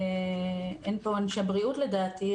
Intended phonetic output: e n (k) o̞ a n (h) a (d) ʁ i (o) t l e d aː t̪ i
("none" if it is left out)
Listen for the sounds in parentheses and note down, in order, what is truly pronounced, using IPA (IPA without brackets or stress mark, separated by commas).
p, ʃ, b, u